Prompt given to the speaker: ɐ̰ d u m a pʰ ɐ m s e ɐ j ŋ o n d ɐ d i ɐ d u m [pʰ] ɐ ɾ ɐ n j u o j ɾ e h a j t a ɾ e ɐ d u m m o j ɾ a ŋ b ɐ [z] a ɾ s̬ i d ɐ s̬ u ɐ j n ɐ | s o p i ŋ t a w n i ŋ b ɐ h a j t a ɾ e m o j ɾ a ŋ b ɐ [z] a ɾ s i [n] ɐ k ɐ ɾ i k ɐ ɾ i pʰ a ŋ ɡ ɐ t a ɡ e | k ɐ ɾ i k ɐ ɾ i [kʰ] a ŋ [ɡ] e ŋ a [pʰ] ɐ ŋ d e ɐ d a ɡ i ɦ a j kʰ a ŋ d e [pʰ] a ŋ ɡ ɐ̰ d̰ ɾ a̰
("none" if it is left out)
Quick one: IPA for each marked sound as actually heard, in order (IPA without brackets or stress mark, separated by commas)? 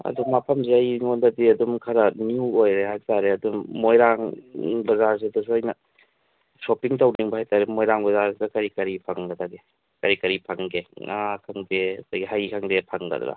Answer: kʰ, z, z, d, pʰ, ɡ, kʰ, pʰ